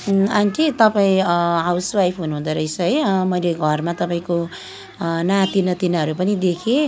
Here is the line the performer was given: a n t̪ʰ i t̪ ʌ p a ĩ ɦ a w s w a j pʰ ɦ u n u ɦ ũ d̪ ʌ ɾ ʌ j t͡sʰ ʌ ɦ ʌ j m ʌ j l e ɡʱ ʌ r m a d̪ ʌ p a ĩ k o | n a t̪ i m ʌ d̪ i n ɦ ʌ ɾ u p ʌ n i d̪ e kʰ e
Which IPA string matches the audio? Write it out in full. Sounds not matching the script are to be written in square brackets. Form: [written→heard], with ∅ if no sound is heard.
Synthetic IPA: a n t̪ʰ i t̪ ʌ p a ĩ ɦ a w s w a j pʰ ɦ u n u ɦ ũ d̪ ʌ ɾ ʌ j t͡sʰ ʌ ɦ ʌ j m ʌ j l e ɡʱ ʌ r m a [d̪→t̪] ʌ p a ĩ k o | n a t̪ i [m→n] ʌ [d̪→t̪] i n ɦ ʌ ɾ u p ʌ n i d̪ e kʰ e